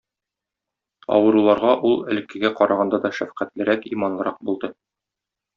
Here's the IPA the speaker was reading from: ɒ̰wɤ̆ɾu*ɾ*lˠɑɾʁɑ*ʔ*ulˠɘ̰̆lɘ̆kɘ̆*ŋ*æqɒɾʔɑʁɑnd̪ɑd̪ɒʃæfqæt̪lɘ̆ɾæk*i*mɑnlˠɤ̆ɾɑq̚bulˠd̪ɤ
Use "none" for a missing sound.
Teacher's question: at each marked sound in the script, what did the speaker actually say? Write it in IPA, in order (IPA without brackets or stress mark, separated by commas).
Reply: none, ʔ, ɡ, i